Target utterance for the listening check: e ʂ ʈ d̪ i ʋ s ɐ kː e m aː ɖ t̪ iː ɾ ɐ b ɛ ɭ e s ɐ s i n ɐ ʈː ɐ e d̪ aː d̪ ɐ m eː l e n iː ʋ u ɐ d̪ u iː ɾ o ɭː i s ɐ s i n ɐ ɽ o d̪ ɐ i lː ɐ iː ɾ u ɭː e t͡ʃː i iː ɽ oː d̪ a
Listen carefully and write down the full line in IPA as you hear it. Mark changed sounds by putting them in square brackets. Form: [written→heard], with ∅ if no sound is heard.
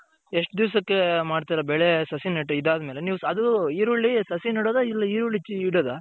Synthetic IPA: e ʂ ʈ d̪ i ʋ s ɐ kː e m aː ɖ t̪ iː ɾ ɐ b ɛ ɭ e s ɐ s i n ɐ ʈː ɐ [e→i] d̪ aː d̪ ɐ m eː l e n iː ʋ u ɐ d̪ u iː ɾ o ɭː i s ɐ s i n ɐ ɽ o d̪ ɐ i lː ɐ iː ɾ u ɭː [e→i] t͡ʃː i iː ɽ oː d̪ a